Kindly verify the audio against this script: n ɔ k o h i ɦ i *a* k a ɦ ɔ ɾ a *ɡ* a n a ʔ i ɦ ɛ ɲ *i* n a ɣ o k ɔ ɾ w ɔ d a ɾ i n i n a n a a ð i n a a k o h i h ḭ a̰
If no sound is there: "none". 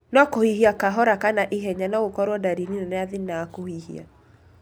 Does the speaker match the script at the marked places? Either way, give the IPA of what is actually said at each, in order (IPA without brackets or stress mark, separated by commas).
a, k, a